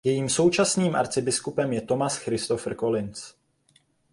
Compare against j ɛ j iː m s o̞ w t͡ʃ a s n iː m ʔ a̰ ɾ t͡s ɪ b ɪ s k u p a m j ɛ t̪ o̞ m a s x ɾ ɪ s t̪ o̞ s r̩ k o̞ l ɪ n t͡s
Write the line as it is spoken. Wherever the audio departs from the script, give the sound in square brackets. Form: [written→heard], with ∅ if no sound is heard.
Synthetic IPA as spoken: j ɛ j iː m s o̞ w t͡ʃ a s n iː m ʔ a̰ ɾ t͡s ɪ b ɪ s k u p [a→ɛ] m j ɛ t̪ o̞ m a s x ɾ ɪ s t̪ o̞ [s→f] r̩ k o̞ l ɪ n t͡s

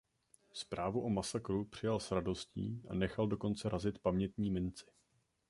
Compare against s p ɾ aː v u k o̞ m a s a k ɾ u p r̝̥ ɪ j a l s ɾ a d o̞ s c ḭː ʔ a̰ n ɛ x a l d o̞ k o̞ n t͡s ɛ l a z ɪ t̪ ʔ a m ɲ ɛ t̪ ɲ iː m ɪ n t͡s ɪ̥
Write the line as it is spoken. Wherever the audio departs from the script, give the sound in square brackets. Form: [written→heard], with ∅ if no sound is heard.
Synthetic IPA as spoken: s p ɾ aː v u [k→ʔ] o̞ m a s a k ɾ u p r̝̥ ɪ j a l s ɾ a d o̞ s c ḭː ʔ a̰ n ɛ x a l d o̞ k o̞ n t͡s ɛ [l→ɾ] a z ɪ t̪ [ʔ→p] a m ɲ ɛ t̪ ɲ iː m ɪ n t͡s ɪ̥

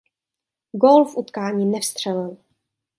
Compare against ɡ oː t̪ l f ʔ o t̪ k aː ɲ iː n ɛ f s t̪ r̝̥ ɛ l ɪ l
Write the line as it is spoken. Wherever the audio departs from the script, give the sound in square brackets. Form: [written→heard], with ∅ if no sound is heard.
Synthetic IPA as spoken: ɡ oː [t̪→∅] l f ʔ [o→u] t̪ k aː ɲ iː n ɛ f s t̪ r̝̥ ɛ l ɪ l

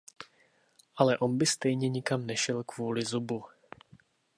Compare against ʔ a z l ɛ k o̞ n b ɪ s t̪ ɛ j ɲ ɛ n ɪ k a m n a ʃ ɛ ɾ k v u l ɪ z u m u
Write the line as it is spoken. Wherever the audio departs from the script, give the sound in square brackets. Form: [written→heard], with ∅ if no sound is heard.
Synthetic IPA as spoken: ʔ a [z→∅] l ɛ [k→ʔ] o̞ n b ɪ s t̪ ɛ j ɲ ɛ [n→ɲ] ɪ k a m n [a→ɛ] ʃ ɛ [ɾ→l] k v [u→uː] l ɪ z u [m→b] u

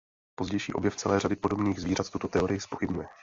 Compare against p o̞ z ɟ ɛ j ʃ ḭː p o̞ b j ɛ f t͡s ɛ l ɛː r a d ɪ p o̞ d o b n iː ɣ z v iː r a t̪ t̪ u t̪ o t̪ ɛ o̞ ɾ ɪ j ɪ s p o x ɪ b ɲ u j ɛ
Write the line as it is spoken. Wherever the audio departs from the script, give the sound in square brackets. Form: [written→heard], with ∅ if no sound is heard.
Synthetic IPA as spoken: p o̞ z ɟ ɛ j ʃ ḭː [p→ʔ] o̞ b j ɛ f t͡s ɛ l ɛː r a d ɪ p o̞ d o b n iː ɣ z v iː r a t̪ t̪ u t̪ o t̪ ɛ o̞ ɾ ɪ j ɪ s p o x ɪ b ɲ u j ɛ

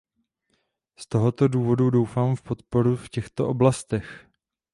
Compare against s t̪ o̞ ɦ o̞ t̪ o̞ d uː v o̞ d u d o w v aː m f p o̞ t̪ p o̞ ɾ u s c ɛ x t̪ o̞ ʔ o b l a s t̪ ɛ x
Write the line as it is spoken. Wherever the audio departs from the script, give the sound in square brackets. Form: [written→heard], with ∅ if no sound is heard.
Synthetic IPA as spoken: s t̪ o̞ ɦ o̞ t̪ o̞ d uː v o̞ d u d o w [v→f] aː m f p o̞ t̪ p o̞ ɾ u [s→f] c ɛ x t̪ o̞ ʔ o b l a s t̪ ɛ x

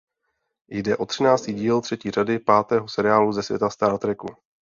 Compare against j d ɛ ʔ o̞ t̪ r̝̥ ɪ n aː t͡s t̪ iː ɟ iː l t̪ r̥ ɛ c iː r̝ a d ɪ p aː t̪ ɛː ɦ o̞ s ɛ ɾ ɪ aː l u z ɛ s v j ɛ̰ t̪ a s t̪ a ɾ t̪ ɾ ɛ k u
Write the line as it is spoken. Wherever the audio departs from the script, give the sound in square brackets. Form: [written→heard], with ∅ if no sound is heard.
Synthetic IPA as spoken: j d ɛ ʔ o̞ t̪ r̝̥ ɪ n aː t͡s t̪ iː ɟ iː l t̪ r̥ ɛ c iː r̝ a d ɪ p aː t̪ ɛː ɦ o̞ s ɛ ɾ ɪ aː l u z ɛ s v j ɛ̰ t̪ a s t̪ a ɾ t̪ ɾ ɛ k u

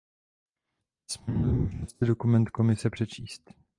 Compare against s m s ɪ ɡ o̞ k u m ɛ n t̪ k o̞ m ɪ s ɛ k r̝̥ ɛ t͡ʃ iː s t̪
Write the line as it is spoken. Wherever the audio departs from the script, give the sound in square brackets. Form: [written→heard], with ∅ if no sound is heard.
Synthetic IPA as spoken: s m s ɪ [ɡ→d] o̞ k u m ɛ n t̪ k o̞ m ɪ s ɛ [k→p] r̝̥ ɛ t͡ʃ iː s t̪

